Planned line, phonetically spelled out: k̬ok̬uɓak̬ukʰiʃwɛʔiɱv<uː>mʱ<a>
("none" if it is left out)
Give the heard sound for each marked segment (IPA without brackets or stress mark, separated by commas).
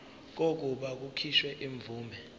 uː, ɛ